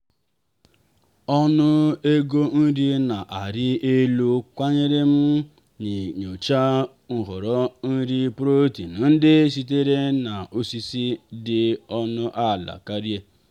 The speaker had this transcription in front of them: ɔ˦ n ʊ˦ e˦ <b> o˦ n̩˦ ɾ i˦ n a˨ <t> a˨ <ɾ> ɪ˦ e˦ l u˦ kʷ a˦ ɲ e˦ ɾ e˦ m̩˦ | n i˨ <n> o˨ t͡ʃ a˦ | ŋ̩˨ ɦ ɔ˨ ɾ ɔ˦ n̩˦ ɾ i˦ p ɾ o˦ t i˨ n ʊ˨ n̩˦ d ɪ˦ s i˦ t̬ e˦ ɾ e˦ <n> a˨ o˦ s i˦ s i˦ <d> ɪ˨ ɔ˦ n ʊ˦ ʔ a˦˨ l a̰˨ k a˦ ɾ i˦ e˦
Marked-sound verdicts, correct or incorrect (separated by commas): incorrect, incorrect, correct, incorrect, correct, correct